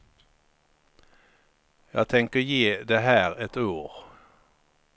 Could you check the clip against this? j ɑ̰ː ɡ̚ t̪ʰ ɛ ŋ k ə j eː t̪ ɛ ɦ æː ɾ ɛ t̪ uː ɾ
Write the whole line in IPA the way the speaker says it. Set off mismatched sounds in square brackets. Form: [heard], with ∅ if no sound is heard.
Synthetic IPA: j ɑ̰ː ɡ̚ t̪ʰ ɛ ŋ k ə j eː [d̪] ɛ ɦ æː ɾ ɛ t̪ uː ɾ